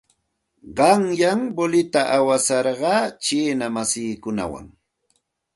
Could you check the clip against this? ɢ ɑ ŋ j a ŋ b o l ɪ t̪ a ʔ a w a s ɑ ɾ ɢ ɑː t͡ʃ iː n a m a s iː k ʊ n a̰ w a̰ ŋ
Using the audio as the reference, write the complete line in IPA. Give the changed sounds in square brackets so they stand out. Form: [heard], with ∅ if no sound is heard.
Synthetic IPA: ɢ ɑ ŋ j a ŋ b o l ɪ t̪ a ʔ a w a s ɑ ɾ ɢ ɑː t͡ʃ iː n a m a s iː k ʊ n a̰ w a̰ ŋ